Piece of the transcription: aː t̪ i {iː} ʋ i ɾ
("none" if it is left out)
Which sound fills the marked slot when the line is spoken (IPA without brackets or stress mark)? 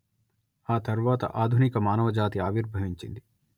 aː